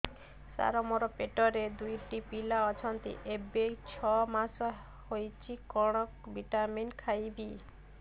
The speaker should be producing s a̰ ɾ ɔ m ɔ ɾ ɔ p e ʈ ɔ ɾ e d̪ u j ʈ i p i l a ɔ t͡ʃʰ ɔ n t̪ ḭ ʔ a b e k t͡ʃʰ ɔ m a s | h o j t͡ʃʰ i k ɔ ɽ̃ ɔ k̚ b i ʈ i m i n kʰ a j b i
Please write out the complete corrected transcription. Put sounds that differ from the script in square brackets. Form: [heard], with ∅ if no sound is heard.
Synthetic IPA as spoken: s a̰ ɾ ɔ m ɔ ɾ ɔ p e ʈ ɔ ɾ e d̪ u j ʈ i p i l a ɔ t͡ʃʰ ɔ n t̪ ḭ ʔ [e] b e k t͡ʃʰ ɔ m a s | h o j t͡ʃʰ i k ɔ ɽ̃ ɔ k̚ b i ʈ [a] m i n kʰ a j b i